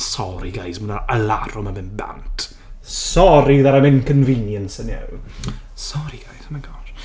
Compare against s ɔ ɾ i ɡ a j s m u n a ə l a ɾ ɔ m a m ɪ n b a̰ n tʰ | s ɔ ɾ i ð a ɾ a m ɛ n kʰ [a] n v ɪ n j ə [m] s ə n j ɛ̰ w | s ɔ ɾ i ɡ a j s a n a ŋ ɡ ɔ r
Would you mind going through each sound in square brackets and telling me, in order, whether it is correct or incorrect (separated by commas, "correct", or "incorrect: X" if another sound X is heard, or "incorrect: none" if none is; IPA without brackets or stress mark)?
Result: incorrect: ə, incorrect: n